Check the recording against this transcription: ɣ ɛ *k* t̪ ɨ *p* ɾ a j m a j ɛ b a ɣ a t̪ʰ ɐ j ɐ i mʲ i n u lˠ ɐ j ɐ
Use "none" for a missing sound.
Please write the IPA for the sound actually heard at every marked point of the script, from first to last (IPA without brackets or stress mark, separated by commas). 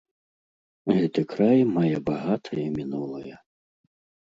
none, k